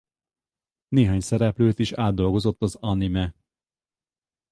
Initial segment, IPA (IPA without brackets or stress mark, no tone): n